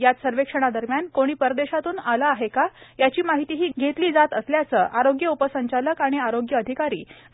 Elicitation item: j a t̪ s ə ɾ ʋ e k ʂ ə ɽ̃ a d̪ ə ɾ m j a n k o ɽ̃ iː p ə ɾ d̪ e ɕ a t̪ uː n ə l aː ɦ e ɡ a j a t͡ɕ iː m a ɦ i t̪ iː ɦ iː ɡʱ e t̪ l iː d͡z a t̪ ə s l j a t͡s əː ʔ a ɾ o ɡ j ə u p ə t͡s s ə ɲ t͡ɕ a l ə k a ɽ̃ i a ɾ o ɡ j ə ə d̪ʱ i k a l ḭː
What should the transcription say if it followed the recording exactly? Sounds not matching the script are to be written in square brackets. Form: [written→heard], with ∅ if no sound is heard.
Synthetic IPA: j a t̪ s ə ɾ ʋ e k ʂ ə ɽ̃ a d̪ ə ɾ m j a n k o ɽ̃ iː p ə ɾ d̪ e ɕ a t̪ uː n [ə→a] l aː ɦ e [ɡ→k] a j a t͡ɕ iː m a ɦ i t̪ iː ɦ iː ɡʱ e t̪ l iː d͡z a t̪ ə s l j a t͡s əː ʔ a ɾ o ɡ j ə u p ə [t͡s→∅] s ə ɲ t͡ɕ a l ə k a ɽ̃ i a ɾ o ɡ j ə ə d̪ʱ i k a [l→ɾ] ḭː

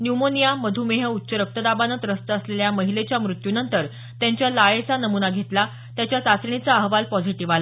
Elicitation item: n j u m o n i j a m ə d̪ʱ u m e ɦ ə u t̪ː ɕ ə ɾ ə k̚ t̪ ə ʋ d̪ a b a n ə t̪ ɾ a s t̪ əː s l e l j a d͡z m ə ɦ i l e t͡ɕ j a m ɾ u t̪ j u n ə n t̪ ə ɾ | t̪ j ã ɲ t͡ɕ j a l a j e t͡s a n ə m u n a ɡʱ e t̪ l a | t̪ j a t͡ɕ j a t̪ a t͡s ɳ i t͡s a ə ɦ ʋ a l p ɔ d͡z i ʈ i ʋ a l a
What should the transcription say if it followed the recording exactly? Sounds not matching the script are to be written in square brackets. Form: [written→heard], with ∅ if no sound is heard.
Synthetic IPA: n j u m o n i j a m ə d̪ʱ u m e ɦ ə u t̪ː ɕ ə ɾ ə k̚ t̪ ə [ʋ→∅] d̪ a b a n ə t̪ ɾ [a→ə] s t̪ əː s l e l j a [d͡z→∅] m ə ɦ i l e t͡ɕ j a m ɾ u t̪ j u n ə n t̪ ə ɾ | t̪ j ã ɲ t͡ɕ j a l a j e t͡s a n ə m u n a ɡʱ e t̪ l a | t̪ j a t͡ɕ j a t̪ a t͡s ɳ i t͡s a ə ɦ ʋ a l p ɔ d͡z i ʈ i ʋ a l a

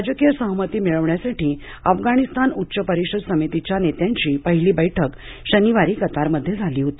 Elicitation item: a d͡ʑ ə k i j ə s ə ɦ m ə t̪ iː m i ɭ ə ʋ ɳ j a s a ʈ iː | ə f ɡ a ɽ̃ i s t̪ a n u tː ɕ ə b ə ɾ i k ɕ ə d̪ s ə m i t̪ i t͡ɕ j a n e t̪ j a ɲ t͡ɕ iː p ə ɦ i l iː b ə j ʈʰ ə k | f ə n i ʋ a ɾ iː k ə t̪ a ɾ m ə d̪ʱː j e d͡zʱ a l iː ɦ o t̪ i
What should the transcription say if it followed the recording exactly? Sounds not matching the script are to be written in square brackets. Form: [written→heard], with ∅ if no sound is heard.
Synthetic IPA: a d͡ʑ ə k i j ə s ə ɦ m ə t̪ iː m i ɭ ə ʋ ɳ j a s a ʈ iː | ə f ɡ a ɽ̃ i s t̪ a n u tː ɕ ə [b→p] ə ɾ i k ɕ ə d̪ s ə m i t̪ i t͡ɕ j a n e t̪ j a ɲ t͡ɕ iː p ə ɦ i l iː b ə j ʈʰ ə k | [f→ɕ] ə n i ʋ a ɾ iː k ə t̪ a ɾ m ə d̪ʱː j e d͡zʱ a l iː ɦ o t̪ i

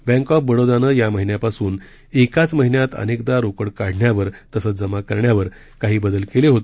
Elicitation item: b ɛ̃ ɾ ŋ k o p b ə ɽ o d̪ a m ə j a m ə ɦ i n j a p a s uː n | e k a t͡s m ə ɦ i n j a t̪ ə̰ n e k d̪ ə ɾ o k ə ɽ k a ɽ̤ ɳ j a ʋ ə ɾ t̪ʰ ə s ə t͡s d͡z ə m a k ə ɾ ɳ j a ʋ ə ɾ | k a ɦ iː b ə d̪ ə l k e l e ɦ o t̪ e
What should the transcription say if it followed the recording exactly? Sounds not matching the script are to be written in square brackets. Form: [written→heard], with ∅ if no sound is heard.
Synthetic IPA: b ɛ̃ [ɾ→∅] ŋ k [o→ɔ] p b ə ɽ o d̪ a [m→n] ə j a m ə ɦ i n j a p a s uː n | e k a t͡s m ə ɦ i n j a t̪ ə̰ n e k d̪ [ə→a] ɾ o k ə ɽ k a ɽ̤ ɳ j a ʋ ə ɾ [t̪ʰ→t̪] ə s ə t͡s d͡z ə m a k ə ɾ ɳ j a ʋ ə ɾ | k a ɦ iː b ə d̪ ə l k e l e ɦ o t̪ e

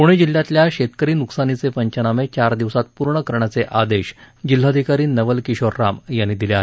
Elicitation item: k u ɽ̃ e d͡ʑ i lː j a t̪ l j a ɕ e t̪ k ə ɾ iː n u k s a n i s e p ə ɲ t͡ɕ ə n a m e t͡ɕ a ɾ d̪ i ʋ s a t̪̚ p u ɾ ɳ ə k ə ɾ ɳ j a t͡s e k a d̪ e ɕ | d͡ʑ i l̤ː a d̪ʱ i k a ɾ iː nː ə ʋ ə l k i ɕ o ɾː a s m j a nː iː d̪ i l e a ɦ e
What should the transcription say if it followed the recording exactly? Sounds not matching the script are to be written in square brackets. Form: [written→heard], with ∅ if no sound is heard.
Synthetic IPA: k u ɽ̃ e d͡ʑ i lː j a t̪ l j a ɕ e t̪ k ə ɾ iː n u k s a n i [s→t͡s] e p ə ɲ t͡ɕ ə n a m e t͡ɕ a ɾ d̪ i ʋ s a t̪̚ p u ɾ ɳ ə k ə ɾ ɳ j a t͡s e [k→ʔ] a d̪ e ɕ | d͡ʑ i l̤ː a d̪ʱ i k a ɾ iː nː ə ʋ ə l k i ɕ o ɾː a [s→∅] m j a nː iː d̪ i l e a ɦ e

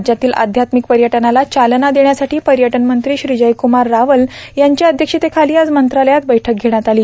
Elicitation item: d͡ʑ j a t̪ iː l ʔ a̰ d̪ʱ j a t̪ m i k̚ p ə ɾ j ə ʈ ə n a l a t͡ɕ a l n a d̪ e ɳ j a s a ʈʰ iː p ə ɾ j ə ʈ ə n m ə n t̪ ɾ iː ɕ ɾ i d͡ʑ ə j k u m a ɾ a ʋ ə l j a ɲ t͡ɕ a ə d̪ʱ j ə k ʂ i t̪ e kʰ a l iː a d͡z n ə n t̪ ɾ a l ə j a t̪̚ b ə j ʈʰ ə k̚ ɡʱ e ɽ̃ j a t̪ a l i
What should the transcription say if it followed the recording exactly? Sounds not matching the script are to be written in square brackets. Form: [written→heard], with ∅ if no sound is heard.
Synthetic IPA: d͡ʑ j a t̪ iː l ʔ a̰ d̪ʱ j a t̪ m i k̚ p ə ɾ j ə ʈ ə n a l a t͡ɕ a l n a d̪ e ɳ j a s a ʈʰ iː p ə ɾ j ə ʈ ə n m ə n t̪ ɾ iː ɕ ɾ i d͡ʑ ə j k u m a [ɾ→ɾː] a ʋ ə l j a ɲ t͡ɕ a ə d̪ʱ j ə k ʂ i t̪ e kʰ a l iː a d͡z [n→m] ə n t̪ ɾ a l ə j a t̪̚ b ə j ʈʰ ə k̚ ɡʱ e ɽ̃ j a t̪ a l [i→iː]

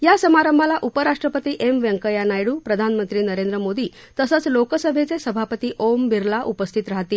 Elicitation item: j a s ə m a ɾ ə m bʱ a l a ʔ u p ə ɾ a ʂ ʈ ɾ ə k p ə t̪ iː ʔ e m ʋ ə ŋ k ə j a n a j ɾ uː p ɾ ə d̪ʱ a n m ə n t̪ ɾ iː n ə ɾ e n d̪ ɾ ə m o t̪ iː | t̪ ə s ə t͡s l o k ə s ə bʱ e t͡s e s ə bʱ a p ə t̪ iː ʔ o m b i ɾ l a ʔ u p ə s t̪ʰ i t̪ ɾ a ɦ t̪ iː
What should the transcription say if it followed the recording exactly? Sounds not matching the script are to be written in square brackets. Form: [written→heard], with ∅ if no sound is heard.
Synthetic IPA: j a s ə m a ɾ ə m bʱ a l a ʔ u p ə ɾ a ʂ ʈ ɾ ə [k→∅] p ə t̪ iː ʔ e m ʋ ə ŋ k ə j a n a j [ɾ→ɽ] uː p ɾ ə d̪ʱ a n m ə n t̪ ɾ iː n ə ɾ e n d̪ ɾ ə m o [t̪→d̪] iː | t̪ ə s ə t͡s l o k ə s ə bʱ e t͡s e s ə bʱ a p ə t̪ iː ʔ o m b i ɾ l a ʔ u p ə s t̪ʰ i t̪ ɾ a ɦ t̪ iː

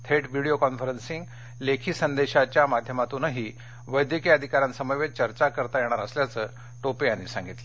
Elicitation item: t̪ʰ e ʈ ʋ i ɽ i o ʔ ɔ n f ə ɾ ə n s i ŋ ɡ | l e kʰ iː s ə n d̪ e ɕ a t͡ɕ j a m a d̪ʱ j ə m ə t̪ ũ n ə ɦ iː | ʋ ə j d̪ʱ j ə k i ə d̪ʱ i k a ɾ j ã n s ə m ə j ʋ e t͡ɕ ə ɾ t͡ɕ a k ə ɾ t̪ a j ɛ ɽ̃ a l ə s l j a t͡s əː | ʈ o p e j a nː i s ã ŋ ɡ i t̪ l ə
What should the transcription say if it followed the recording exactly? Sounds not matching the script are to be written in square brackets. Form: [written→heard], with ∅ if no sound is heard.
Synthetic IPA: t̪ʰ e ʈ ʋ i ɽ i o [ʔ→k] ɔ n f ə ɾ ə n s i ŋ ɡ | l e kʰ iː s ə n d̪ e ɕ a t͡ɕ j a m a d̪ʱ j ə m [ə→a] t̪ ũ n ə ɦ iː | ʋ ə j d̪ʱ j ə k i ə d̪ʱ i k a ɾ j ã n s ə m ə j ʋ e t͡ɕ ə ɾ t͡ɕ a k ə ɾ t̪ a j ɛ ɽ̃ a [l→ɾ] ə s l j a t͡s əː | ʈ o p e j a nː i s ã ŋ ɡ i t̪ l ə

